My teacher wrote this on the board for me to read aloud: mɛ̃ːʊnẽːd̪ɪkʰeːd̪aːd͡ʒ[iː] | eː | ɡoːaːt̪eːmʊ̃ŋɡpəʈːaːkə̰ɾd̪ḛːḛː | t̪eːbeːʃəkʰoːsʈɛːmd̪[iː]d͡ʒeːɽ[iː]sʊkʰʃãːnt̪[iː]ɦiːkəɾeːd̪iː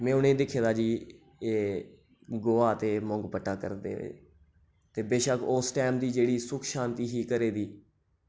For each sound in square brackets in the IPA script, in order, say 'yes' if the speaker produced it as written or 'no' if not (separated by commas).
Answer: yes, yes, yes, yes